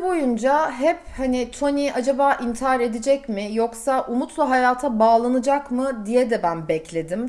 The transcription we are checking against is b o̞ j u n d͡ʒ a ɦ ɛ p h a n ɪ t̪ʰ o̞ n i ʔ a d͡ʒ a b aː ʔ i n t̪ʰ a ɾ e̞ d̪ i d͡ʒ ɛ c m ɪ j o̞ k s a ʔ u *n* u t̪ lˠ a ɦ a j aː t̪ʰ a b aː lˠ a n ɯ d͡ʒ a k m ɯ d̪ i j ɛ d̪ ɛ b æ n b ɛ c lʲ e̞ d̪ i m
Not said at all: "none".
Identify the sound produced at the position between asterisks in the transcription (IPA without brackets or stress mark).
m